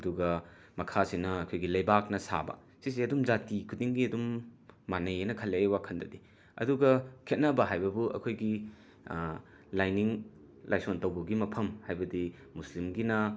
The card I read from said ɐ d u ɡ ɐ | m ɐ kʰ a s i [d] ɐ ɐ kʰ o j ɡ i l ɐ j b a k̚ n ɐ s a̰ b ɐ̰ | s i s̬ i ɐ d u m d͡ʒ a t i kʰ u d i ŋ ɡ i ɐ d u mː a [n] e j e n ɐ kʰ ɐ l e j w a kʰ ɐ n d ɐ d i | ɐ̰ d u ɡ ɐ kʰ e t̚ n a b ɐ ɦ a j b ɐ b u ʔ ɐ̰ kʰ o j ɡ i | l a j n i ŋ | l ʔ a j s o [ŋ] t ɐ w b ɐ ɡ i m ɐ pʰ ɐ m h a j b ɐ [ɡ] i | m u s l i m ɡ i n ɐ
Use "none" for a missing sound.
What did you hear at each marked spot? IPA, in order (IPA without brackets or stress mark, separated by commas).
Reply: n, n, n, d